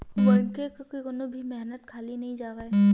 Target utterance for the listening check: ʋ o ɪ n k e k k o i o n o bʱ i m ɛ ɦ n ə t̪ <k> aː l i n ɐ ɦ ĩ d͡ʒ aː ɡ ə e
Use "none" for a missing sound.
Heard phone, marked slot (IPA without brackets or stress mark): kʰ